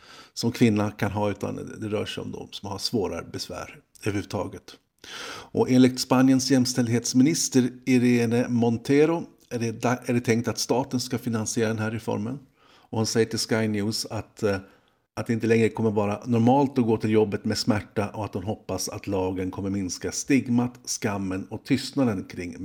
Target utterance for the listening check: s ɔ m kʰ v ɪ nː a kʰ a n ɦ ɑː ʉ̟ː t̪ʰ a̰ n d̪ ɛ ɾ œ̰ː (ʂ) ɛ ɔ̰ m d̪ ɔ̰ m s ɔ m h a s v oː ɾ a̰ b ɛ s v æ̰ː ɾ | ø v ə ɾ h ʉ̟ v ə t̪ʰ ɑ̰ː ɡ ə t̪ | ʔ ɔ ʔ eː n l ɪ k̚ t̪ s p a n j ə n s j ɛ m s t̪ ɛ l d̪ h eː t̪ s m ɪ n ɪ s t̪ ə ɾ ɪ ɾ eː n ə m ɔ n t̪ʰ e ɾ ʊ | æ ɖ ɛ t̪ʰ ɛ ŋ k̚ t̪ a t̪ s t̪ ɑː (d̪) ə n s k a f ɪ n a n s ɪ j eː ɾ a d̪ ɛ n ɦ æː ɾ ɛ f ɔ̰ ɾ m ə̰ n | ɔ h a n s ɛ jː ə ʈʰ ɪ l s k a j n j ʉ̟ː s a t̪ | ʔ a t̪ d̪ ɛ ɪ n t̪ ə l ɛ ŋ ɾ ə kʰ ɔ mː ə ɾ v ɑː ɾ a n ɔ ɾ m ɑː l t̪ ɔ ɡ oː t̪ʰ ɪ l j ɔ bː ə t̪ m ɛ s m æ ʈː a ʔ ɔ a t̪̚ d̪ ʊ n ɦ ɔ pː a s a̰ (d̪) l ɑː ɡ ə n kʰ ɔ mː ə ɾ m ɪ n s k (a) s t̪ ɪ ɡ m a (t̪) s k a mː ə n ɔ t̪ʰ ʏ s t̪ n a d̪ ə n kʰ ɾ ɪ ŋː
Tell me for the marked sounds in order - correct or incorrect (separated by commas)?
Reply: correct, incorrect, incorrect, correct, correct